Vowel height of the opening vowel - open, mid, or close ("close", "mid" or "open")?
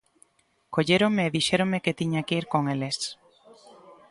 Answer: mid